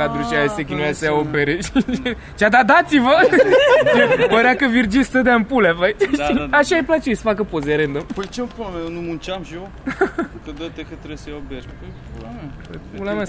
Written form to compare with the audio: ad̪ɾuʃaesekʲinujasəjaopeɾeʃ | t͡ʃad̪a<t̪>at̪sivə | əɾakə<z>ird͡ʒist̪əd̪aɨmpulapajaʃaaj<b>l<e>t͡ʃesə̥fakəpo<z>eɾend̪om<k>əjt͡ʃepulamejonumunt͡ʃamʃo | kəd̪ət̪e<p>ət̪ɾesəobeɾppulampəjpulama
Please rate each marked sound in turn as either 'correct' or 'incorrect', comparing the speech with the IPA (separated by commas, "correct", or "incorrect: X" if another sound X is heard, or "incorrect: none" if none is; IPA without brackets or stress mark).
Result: incorrect: d̪, incorrect: v, incorrect: p, incorrect: a, correct, incorrect: p, incorrect: k